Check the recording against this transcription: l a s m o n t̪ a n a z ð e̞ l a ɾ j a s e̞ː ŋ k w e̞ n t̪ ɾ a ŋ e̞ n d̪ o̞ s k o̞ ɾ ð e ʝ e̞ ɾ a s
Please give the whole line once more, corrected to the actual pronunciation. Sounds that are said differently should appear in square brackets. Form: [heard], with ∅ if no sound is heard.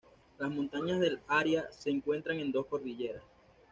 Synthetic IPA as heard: l a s m o n t̪ a [ɲ] a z ð e̞ l a ɾ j a s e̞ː ŋ k w e̞ n t̪ ɾ a ŋ e̞ n d̪ o̞ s k o̞ ɾ ð [i] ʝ e̞ ɾ a s